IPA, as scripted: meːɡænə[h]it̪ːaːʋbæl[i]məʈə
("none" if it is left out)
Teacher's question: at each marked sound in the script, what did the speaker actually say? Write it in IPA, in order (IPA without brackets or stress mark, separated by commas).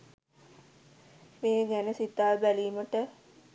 s, iː